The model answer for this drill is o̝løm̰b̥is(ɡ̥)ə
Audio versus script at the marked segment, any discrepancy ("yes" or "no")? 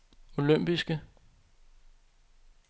no